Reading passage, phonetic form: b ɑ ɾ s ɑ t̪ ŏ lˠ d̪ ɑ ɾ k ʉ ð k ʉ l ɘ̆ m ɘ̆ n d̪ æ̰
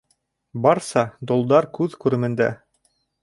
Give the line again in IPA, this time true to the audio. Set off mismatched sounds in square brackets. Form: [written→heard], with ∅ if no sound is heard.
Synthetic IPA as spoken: b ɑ ɾ s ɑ [t̪→d̪] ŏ lˠ d̪ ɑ ɾ k ʉ ð k ʉ [l→ɾ] ɘ̆ m ɘ̆ n d̪ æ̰

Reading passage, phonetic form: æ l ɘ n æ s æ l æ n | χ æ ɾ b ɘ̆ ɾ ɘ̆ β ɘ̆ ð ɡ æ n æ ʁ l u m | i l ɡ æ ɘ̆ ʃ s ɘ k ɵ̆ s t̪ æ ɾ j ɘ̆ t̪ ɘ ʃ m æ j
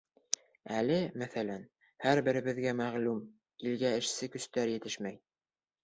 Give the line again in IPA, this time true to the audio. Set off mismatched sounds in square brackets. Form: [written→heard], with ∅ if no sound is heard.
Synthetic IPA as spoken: æ l ɘ [n→m] æ [s→θ] æ l æ n | [χ→h] æ ɾ b ɘ̆ ɾ ɘ̆ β ɘ̆ ð ɡ æ [n→m] æ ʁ l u m | i l ɡ æ ɘ̆ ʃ s ɘ k ɵ̆ s t̪ æ ɾ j ɘ̆ t̪ ɘ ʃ m æ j

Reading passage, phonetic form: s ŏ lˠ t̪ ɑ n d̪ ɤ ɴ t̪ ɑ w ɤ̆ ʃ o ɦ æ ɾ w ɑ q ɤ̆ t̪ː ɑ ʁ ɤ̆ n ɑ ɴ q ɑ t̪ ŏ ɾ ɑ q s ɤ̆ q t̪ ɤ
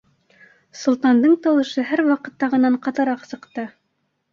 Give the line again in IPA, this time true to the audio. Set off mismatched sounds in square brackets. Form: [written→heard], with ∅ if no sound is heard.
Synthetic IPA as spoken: s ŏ lˠ t̪ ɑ n d̪ ɤ ɴ t̪ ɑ w ɤ̆ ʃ [o→ɤ] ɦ æ ɾ w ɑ q ɤ̆ t̪ː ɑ ʁ ɤ̆ n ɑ ɴ q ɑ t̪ [ŏ→ɤ̆] ɾ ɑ q s ɤ̆ q t̪ ɤ

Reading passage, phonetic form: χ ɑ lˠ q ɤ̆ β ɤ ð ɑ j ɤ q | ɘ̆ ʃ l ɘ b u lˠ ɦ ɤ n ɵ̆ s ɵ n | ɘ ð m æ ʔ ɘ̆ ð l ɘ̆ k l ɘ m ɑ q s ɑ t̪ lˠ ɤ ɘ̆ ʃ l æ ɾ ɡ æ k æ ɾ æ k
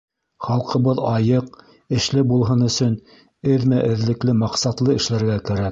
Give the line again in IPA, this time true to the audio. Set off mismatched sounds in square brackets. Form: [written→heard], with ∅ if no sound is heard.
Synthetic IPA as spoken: χ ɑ lˠ q ɤ̆ β ɤ ð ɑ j ɤ q | ɘ̆ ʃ l ɘ b u lˠ ɦ ɤ n ɵ̆ s ɵ n | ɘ ð m æ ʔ ɘ̆ ð l ɘ̆ k l ɘ m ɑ q s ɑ t̪ lˠ ɤ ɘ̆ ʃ l æ ɾ ɡ æ k æ ɾ æ k

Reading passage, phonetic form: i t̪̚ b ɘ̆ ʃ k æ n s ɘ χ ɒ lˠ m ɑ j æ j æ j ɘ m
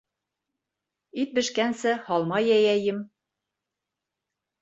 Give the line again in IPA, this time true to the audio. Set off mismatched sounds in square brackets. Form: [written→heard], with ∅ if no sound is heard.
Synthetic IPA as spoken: i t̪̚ b ɘ̆ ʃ k æ n s ɘ [χ→h] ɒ lˠ m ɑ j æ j æ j ɘ m

